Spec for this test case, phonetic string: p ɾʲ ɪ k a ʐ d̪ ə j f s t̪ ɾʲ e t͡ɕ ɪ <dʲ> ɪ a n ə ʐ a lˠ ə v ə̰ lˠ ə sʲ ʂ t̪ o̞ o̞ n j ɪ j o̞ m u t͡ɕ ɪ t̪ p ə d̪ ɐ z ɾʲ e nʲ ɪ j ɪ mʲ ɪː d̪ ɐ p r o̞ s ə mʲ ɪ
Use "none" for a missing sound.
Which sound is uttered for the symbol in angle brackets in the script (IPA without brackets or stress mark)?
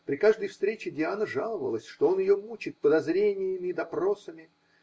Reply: dʲ